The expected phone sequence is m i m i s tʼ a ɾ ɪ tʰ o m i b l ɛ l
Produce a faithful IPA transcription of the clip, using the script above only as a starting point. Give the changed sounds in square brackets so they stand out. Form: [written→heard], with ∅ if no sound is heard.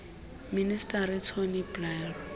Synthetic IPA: m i [m→n] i s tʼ a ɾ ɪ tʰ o [m→n] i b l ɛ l